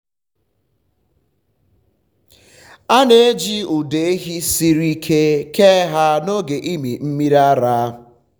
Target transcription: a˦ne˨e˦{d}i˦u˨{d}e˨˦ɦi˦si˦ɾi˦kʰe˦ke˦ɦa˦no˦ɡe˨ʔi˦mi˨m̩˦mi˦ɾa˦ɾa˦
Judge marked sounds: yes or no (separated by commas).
no, yes